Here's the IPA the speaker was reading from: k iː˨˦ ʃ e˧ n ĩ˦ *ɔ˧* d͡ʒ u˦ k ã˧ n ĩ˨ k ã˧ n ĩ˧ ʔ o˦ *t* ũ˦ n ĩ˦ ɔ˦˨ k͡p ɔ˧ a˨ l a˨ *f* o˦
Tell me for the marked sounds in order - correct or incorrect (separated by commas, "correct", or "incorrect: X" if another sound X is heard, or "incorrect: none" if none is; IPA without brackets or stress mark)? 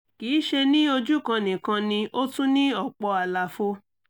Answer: incorrect: o˧, correct, correct